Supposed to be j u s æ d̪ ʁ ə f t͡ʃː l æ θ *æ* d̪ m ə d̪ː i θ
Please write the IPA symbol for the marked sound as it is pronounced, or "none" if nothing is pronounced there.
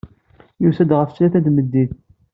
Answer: æ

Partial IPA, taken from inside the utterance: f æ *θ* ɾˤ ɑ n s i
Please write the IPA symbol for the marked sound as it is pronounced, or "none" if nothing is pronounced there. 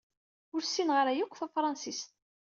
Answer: f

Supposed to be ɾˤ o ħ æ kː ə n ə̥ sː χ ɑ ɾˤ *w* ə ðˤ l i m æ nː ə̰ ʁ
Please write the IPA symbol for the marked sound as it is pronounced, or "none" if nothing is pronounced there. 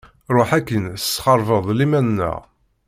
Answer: v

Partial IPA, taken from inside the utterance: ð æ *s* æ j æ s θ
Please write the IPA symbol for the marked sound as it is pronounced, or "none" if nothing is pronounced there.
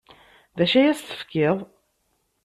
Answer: ʃ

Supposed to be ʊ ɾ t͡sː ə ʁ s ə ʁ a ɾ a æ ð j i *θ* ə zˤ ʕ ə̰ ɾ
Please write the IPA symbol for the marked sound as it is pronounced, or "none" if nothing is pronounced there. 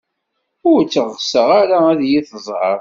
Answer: θ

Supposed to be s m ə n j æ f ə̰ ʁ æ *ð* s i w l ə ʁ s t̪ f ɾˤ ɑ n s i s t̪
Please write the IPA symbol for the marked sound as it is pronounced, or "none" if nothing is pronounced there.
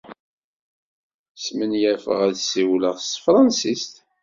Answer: ð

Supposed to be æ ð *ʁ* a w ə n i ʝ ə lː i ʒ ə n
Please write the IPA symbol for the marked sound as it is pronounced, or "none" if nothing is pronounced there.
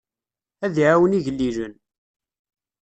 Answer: ʕ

